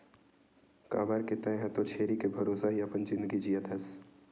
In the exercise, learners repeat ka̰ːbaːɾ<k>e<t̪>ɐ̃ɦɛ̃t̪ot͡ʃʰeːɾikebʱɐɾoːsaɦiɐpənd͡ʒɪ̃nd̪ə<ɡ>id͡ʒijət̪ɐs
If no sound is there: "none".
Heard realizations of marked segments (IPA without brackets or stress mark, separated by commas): k, t̪, ɡ